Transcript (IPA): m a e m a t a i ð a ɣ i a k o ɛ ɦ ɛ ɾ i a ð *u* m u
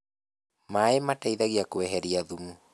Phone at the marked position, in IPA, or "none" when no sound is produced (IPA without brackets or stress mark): u